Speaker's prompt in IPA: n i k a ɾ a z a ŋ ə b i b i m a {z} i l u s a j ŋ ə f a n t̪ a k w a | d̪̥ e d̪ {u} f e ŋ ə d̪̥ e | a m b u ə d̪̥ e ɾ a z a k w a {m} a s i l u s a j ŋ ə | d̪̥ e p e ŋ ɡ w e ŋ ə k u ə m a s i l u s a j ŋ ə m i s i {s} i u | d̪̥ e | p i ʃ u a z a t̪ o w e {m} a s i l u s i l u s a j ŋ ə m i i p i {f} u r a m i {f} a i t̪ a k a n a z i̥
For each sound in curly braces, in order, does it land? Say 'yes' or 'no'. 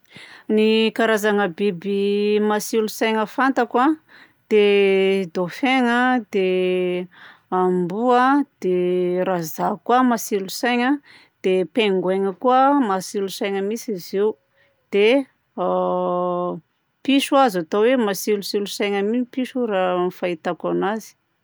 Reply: no, no, yes, no, yes, no, yes

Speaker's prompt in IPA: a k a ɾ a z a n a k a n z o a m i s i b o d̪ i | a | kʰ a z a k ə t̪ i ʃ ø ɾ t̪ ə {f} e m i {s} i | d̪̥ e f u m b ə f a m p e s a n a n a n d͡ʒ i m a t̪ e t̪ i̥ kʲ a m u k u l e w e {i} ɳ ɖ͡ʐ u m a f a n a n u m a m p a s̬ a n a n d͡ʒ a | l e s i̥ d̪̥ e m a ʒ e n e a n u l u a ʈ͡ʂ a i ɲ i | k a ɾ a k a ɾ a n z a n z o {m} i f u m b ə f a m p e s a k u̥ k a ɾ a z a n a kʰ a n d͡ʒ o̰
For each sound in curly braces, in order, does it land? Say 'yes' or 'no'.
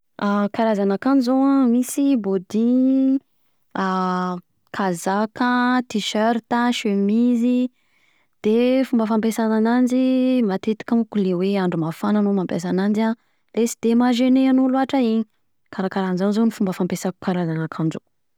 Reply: no, no, no, no

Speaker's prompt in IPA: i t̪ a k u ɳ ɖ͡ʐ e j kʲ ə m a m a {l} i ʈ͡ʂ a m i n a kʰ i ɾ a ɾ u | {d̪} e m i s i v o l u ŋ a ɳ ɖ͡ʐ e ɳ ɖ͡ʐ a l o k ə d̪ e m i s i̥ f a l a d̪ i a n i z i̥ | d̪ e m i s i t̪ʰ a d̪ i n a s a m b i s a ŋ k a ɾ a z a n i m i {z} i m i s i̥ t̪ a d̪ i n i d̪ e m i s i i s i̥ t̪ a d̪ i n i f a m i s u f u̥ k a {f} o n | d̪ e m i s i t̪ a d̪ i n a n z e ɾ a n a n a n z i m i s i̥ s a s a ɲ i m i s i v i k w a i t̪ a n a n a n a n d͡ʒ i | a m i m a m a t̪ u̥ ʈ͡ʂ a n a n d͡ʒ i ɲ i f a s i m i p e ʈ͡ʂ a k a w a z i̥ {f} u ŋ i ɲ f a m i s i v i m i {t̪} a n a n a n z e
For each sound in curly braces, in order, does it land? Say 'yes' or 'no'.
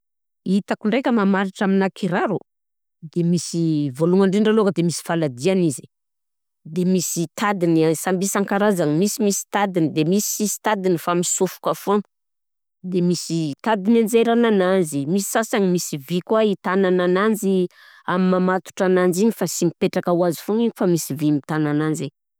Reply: no, yes, no, yes, yes, yes

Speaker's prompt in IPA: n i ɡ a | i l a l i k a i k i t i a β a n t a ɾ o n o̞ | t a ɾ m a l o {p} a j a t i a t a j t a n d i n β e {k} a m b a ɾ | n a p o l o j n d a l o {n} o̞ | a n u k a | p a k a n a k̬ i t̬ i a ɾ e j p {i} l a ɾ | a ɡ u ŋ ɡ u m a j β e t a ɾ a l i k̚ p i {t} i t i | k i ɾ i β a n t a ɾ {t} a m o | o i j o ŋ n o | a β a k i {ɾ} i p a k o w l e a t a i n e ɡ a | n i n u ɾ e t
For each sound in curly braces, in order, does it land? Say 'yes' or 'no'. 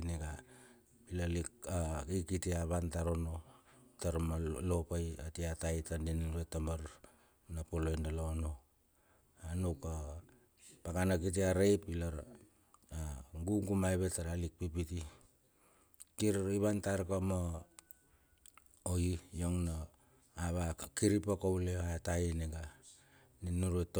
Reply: yes, no, yes, yes, no, no, yes

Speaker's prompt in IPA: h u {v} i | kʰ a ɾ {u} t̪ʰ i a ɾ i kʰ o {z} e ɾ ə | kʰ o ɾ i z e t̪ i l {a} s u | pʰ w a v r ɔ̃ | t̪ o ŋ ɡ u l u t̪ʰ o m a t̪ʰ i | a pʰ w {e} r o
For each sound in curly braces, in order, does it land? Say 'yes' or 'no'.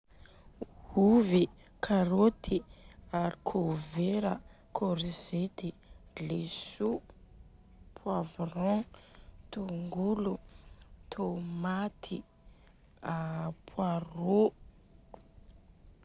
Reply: yes, no, no, no, no

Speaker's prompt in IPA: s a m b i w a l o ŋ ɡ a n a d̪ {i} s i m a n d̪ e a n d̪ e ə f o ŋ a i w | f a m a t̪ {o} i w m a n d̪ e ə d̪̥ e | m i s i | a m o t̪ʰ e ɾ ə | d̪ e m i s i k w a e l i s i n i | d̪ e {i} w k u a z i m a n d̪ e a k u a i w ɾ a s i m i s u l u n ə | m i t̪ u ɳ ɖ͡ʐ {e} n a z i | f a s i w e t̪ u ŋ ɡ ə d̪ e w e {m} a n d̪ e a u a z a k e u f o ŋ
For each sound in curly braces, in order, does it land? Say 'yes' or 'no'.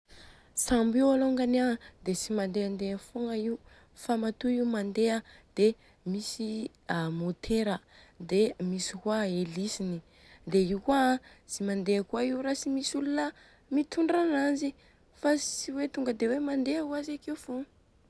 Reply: no, no, yes, no, yes

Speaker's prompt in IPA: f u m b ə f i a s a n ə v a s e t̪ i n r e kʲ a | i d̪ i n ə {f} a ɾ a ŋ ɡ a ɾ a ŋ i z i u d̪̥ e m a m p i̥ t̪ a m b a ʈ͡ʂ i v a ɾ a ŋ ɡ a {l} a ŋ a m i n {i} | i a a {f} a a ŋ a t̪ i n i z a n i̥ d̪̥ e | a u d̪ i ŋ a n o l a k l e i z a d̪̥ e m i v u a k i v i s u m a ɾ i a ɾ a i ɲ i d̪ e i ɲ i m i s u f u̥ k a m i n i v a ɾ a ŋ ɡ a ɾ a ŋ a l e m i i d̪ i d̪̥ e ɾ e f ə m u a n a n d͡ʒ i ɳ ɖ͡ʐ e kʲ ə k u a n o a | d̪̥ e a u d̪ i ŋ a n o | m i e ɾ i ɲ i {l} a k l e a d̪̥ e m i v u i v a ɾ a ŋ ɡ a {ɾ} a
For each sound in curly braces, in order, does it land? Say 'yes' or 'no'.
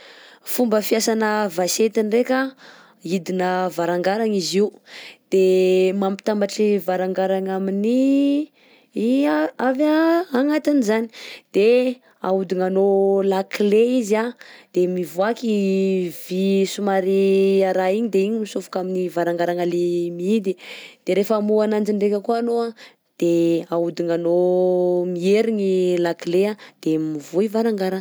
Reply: no, no, yes, no, yes, yes

